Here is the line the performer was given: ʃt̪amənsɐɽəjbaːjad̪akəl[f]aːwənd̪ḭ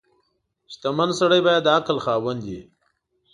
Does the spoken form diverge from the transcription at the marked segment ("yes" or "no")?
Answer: yes